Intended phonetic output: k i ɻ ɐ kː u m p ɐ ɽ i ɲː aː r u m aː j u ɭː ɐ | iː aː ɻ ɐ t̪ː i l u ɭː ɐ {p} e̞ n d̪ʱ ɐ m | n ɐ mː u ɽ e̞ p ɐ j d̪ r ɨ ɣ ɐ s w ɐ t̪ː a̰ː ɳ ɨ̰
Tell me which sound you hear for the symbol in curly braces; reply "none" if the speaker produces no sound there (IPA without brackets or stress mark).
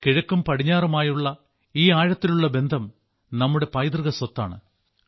b